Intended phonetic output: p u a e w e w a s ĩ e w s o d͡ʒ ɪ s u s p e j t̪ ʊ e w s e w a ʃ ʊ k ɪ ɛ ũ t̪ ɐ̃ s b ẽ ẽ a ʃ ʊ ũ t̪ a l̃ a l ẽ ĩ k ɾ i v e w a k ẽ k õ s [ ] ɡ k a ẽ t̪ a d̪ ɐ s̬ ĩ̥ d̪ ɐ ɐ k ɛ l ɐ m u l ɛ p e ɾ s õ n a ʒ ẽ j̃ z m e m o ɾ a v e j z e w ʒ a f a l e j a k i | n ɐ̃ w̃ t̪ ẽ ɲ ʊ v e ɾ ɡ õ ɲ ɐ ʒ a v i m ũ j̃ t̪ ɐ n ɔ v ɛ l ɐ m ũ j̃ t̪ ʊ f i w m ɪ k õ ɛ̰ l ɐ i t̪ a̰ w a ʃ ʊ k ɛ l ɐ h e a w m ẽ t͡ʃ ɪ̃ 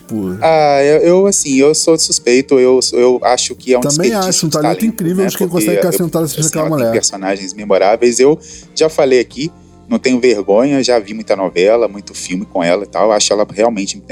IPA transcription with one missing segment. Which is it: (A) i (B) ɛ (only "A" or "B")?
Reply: B